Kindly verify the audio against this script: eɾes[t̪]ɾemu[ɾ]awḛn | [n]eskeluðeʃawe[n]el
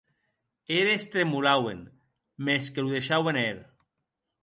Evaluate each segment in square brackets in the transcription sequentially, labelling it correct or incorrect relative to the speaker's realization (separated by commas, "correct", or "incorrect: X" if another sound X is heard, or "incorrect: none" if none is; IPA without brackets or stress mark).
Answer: correct, incorrect: l, incorrect: m, correct